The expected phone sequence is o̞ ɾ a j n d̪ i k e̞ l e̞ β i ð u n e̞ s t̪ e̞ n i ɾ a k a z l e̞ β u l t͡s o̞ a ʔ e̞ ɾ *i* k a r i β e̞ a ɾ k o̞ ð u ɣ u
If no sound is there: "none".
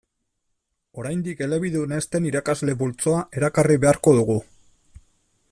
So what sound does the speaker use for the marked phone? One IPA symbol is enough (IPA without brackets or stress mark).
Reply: a